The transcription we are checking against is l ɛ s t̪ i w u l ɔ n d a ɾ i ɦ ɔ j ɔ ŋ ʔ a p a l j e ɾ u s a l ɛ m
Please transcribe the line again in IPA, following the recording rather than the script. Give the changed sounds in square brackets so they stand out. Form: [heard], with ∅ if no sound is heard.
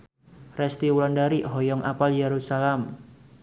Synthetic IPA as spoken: [r] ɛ s t̪ i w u l ɔ n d a ɾ i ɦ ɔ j ɔ ŋ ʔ a p a l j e ɾ u s a l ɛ m